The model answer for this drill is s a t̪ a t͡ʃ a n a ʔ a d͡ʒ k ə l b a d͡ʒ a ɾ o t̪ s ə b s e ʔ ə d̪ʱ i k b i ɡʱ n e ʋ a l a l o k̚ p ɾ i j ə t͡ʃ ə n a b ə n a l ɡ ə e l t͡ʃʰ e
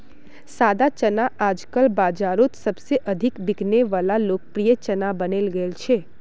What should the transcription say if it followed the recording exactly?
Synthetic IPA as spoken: s a d̪ a t͡ʃ ə n a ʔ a d͡ʒ k ə l b a d͡ʒ a ɾ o t̪ s ə b s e ʔ ə d̪ʱ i k b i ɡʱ n e ʋ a l a l o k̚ p ɾ i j ə t͡ʃ ə n a b ə n e l ɡ ə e l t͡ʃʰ e